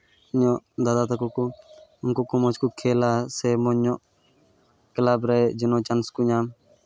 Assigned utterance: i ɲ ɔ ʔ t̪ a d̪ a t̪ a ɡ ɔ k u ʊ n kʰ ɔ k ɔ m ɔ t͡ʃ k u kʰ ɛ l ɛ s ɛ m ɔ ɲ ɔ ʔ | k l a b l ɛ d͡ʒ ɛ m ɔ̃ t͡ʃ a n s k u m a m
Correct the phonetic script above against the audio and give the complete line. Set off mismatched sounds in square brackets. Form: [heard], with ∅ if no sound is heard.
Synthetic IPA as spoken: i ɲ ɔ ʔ [d̪] a d̪ a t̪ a [k] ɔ k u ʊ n [k] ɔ k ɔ m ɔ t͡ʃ k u kʰ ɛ l [a] s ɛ m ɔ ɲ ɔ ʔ | k l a b [ɾ] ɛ d͡ʒ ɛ [n] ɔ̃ t͡ʃ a n s k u [ɲ] a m